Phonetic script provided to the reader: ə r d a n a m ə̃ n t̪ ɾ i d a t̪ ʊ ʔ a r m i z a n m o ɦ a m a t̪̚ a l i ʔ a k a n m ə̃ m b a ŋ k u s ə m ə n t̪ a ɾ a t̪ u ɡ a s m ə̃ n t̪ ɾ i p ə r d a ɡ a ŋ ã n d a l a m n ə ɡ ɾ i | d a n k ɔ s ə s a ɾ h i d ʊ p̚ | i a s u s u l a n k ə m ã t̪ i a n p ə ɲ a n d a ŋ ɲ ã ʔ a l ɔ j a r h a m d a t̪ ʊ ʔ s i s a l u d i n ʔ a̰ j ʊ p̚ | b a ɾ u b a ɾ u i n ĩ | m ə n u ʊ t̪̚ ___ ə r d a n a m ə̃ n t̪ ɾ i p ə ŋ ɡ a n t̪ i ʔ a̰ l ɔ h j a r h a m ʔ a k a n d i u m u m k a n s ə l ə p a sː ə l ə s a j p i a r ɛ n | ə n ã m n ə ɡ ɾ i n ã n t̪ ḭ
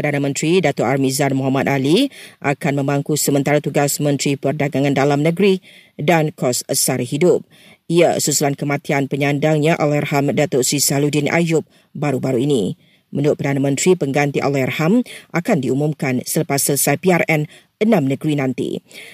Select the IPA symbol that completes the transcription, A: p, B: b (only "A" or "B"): A